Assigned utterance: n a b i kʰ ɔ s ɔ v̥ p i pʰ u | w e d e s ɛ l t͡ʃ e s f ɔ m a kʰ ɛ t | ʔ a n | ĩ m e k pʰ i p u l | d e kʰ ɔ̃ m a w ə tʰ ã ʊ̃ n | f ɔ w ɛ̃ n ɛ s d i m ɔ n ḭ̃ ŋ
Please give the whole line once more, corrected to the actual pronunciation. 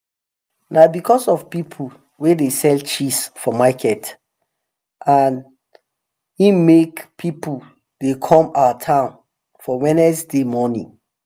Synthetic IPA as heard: n a b i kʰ ɔ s ɔ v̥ p i pʰ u | w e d e s ɛ l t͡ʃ i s f ɔ m a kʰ ɛ t | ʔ a n | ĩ m e k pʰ i p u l | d e kʰ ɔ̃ m a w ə tʰ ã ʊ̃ n | f ɔ w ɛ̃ n ɛ s d e m ɔ n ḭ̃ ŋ

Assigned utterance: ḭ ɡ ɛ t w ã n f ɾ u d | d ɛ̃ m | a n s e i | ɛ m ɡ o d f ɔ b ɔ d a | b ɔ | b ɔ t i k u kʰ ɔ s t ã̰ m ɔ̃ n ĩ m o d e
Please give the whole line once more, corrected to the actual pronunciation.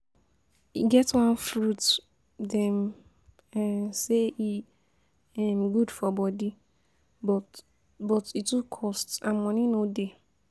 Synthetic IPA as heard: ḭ ɡ ɛ t w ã n f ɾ u t | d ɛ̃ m | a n s e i | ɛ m ɡ u d f ɔ b ɔ d i | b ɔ | b ɔ t i t u kʰ ɔ s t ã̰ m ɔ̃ n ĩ n o d e

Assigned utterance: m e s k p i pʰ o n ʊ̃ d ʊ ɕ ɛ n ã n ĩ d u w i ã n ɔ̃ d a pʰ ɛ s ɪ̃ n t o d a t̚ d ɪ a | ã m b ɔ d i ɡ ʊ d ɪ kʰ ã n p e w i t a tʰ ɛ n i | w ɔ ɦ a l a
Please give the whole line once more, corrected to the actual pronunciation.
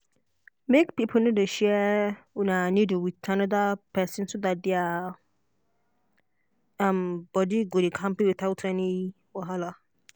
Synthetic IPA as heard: m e k p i pʰ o n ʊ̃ d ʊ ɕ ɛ n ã n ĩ d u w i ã n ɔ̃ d a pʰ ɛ s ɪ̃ n s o d a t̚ d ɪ a | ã m b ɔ d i ɡ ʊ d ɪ kʰ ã m p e w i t a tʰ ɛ n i | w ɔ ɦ a l a

